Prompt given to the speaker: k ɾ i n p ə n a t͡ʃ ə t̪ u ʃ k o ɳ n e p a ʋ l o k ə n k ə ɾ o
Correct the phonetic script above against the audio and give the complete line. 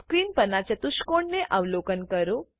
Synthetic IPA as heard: k ɾ i n p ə n a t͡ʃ ə t̪ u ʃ k o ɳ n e ʔ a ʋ l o k ə n k ə ɾ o

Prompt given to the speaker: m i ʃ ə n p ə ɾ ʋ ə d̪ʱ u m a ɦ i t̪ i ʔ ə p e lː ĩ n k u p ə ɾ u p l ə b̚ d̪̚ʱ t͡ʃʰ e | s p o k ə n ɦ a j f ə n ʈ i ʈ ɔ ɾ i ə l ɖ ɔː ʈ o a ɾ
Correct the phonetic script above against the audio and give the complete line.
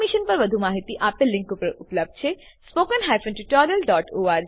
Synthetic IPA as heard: m i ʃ ə n p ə ɾ ʋ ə d̪ʱ u m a ɦ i t̪ i ʔ a p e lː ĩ ŋ k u p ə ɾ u p l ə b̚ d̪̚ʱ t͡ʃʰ e | s p o k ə n ɦ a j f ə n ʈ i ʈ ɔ ɾ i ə l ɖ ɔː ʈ o a ɾ

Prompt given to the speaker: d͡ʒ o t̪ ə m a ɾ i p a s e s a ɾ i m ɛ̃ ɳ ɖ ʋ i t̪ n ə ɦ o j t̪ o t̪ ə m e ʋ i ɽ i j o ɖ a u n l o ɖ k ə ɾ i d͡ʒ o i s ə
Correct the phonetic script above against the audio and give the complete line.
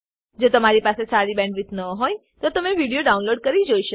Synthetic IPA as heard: d͡ʒ o t̪ ə m a ɾ i p a s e s a ɾ i b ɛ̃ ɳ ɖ ʋ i t̪ n ə ɦ o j t̪ o t̪ ə m e ʋ i ɽ i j o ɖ a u n l o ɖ k ə ɾ i d͡ʒ o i ʃ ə

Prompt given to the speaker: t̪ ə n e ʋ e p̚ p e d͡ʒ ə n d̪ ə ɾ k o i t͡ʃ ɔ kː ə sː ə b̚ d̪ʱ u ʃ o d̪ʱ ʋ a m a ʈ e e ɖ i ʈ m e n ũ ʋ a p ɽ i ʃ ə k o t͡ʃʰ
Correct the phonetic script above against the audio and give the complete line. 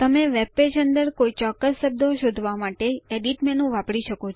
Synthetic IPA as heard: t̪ ə m e ʋ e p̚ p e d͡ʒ ə n d̪ ə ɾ k o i t͡ʃ ɔ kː ə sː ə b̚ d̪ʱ o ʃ o d̪ʱ ʋ a m a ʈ e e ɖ i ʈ m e n ũ ʋ a p ɽ i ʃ ə k o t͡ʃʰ

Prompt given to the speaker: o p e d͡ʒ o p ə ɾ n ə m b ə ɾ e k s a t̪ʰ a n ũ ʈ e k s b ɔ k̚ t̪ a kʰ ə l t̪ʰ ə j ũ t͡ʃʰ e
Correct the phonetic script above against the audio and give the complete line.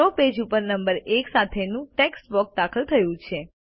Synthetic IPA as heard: o p e d͡ʒ u p ə ɾ n ə m b ə ɾ e k s a t̪ʰ e n ũ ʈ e k s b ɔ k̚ d̪ a kʰ ə l t̪ʰ ə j ũ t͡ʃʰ e

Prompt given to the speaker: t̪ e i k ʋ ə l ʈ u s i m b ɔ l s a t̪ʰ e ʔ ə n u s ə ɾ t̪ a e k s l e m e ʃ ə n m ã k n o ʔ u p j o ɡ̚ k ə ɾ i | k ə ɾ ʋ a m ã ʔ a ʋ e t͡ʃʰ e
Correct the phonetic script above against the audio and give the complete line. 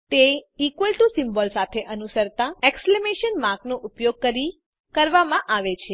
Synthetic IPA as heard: t̪ e i k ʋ ə l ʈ u s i m b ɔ l s a t̪ʰ e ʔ ə n u s ə ɾ t̪ a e k s l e m e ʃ ə n m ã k n o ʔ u p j o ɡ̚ k ə ɾ i | k ə ɾ ʋ a m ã ʔ a ʋ e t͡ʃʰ e

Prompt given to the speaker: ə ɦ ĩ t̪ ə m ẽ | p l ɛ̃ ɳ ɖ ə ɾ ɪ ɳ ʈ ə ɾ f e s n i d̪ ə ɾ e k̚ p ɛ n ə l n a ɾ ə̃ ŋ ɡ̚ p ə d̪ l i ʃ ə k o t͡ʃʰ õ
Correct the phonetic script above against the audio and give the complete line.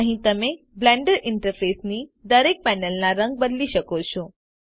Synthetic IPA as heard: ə ɦ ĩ t̪ ə m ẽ | b l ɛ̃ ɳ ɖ ə ɾ ɪ ɳ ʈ ə ɾ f e s n i d̪ ə ɾ e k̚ p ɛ n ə l n a ɾ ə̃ ŋ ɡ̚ b ə d̪ l i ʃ ə k o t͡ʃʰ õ

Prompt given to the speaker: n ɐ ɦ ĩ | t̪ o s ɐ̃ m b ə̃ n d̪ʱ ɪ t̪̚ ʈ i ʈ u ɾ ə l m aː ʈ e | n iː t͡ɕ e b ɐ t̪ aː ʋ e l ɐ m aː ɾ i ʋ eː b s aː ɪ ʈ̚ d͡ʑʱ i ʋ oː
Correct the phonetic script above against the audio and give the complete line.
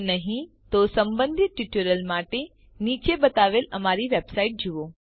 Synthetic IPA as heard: n ɐ ɦ ĩ | t̪ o s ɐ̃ m b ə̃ n d̪ʱ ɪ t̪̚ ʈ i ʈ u ɾ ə l m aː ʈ e | n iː t͡ɕ e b ɐ t̪ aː ʋ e l ɐ m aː ɾ i ʋ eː b s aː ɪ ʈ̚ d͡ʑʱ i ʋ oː

